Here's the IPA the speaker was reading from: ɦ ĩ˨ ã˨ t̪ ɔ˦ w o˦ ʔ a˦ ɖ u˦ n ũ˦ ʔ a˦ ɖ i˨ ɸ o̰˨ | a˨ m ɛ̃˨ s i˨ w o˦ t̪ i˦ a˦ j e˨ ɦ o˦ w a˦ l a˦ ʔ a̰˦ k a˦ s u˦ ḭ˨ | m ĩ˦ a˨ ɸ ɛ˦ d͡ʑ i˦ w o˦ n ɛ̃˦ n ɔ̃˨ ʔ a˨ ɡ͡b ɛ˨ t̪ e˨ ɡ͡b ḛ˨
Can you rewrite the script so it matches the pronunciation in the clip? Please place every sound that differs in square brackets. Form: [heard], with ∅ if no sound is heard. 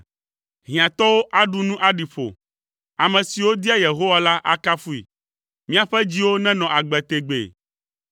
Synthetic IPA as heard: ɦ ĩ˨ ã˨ t̪ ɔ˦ w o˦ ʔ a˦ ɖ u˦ n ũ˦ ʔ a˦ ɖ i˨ ɸ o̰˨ | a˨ m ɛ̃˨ s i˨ w o˦ [d̪] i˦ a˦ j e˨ ɦ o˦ w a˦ l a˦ ʔ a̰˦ k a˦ [f] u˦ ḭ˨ | m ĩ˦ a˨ ɸ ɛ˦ d͡ʑ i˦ w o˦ n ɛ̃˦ n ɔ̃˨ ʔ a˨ ɡ͡b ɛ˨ t̪ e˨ ɡ͡b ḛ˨

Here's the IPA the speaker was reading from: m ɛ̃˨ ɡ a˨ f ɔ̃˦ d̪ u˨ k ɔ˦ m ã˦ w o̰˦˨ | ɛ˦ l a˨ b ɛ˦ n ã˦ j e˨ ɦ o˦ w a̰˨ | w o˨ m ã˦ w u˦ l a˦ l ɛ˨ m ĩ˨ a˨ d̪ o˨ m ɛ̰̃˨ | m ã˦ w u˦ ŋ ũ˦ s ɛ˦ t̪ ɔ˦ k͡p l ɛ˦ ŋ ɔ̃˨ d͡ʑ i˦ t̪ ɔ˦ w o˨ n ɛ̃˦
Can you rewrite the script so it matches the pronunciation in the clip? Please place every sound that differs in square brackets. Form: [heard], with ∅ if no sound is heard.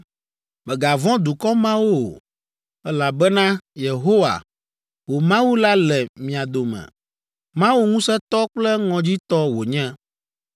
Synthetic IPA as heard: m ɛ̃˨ ɡ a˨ [v] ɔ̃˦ d̪ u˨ k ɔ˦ m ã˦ w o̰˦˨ | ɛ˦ l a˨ b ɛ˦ n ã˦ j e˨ ɦ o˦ w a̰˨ | w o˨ m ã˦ w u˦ l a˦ l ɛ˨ m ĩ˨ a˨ d̪ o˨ m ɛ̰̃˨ | m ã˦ w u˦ ŋ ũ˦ s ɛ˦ t̪ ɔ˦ k͡p l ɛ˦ ŋ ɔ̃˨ d͡ʑ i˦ t̪ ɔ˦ w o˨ [ɲ] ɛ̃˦

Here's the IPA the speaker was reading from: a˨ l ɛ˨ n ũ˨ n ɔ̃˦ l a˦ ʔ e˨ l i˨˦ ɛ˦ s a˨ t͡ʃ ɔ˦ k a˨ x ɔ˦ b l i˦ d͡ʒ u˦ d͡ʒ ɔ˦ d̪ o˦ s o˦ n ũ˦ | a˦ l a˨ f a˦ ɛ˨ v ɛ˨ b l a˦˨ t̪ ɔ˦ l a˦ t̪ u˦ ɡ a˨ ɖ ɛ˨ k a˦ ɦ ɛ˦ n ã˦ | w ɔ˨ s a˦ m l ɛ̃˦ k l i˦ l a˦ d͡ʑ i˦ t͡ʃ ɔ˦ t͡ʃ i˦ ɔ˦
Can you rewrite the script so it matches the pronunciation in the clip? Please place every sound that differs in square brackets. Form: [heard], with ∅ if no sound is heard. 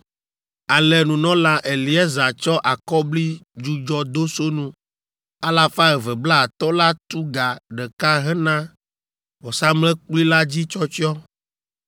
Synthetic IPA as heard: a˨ l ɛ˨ n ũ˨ n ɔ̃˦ l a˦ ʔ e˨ l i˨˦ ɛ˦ [z] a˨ t͡ʃ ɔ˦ [ʔ] a˨ [k] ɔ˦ b l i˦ d͡ʒ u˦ d͡ʒ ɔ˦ d̪ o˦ s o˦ n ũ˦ | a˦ l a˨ f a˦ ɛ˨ v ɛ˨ b l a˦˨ t̪ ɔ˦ l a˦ t̪ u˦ ɡ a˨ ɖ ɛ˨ k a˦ ɦ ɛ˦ n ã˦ | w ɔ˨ s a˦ m l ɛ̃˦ [k͡p] l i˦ l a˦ d͡ʑ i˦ t͡ʃ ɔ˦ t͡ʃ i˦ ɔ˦

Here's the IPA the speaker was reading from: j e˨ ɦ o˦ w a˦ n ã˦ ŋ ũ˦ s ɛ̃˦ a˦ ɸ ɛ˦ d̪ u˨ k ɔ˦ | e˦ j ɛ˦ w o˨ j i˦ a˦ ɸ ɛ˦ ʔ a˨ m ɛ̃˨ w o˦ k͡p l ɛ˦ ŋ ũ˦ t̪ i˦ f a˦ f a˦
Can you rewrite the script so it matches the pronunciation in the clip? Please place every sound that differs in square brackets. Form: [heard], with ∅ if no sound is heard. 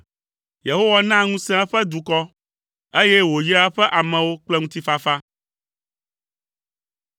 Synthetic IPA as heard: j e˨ ɦ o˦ w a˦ n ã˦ ŋ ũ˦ s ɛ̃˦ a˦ ɸ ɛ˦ d̪ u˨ k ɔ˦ | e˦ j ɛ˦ w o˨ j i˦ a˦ ɸ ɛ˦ ʔ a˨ m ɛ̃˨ w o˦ k͡p l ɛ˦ ŋ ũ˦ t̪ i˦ f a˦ f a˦

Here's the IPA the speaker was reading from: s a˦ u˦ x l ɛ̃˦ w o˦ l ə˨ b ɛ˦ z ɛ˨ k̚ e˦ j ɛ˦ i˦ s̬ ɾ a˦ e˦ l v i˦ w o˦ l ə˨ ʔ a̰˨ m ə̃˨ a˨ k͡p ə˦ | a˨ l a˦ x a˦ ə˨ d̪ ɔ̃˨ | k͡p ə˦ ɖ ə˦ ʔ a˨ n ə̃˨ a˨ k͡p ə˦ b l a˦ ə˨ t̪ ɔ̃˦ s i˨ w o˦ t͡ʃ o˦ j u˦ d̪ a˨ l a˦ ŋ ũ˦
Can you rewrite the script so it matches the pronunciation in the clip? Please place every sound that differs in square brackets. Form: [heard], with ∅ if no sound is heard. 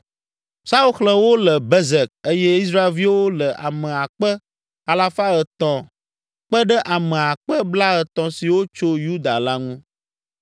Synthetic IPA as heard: s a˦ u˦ x l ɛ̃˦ w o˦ l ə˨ b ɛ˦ z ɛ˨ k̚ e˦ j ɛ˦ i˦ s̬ ɾ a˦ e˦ l v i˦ w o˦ l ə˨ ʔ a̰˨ m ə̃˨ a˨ k͡p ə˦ | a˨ l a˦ [f] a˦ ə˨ [t̪] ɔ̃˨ | k͡p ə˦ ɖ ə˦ ʔ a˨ [m] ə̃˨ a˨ k͡p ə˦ b l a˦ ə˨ t̪ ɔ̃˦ s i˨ w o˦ t͡ʃ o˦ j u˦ d̪ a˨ l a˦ ŋ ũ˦

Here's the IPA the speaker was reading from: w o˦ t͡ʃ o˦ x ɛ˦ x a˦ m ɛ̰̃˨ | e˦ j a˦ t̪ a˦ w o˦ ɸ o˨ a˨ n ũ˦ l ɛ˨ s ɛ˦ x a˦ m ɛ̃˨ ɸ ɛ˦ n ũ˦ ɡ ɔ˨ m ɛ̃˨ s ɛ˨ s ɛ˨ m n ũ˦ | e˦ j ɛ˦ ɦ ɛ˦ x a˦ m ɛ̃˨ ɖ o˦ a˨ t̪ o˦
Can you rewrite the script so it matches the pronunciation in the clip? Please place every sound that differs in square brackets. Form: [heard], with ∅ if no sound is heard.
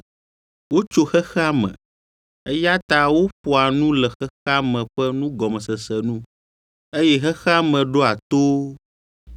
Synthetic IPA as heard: w o˦ t͡ʃ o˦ x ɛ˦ x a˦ m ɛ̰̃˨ | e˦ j a˦ t̪ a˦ w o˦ ɸ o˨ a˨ n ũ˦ l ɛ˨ [x] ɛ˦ x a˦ m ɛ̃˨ ɸ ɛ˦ n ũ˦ ɡ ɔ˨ m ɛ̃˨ s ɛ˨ s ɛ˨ [∅] n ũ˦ | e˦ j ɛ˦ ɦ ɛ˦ x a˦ m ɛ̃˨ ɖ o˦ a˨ t̪ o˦

